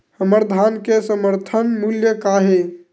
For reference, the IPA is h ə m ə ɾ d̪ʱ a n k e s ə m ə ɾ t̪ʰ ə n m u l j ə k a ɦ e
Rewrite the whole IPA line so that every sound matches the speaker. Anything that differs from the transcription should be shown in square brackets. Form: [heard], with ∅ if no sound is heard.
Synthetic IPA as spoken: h ə m ə ɾ d̪ʱ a n k e s ə m ə ɾ t̪ʰ ə n m u l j ə k a ɦ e